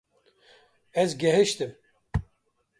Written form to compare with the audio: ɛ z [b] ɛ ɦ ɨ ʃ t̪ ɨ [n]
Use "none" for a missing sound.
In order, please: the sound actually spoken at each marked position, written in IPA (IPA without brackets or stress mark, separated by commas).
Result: ɡ, m